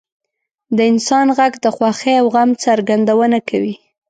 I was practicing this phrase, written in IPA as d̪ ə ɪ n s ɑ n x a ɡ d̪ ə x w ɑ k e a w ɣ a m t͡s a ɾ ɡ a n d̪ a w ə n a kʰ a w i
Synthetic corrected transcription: d̪ ə ɪ n s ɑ n ɣ a ɡ d̪ ə x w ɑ x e a w ɣ a m t͡s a ɾ ɡ a n d̪ a w ə n a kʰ a w i